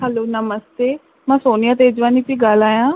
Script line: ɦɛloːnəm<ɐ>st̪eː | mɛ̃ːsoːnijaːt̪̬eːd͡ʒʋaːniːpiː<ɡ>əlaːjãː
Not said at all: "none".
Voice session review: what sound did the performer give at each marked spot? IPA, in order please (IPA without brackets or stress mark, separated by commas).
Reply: ə, ɡ